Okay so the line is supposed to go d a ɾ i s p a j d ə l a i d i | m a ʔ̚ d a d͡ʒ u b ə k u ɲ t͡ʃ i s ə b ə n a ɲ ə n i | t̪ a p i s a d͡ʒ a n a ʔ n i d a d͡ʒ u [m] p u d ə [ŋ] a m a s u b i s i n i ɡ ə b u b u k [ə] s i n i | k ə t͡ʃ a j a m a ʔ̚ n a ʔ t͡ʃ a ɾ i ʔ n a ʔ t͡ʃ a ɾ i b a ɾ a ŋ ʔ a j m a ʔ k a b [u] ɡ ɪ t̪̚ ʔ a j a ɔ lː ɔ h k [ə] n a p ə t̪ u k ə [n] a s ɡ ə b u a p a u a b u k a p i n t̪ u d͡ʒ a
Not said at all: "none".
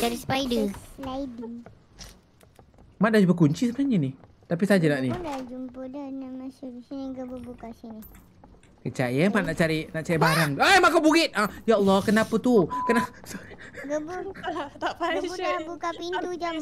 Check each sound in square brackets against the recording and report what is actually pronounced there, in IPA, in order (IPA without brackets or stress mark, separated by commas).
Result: m, n, a, u, ə, n